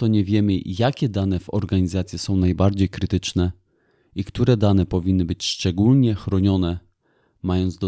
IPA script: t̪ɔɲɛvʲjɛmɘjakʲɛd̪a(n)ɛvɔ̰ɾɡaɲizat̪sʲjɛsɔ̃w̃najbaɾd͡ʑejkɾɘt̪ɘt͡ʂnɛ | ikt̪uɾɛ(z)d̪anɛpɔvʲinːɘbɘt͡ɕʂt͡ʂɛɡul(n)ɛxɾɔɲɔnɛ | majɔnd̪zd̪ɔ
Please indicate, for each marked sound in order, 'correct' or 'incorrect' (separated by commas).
correct, incorrect, incorrect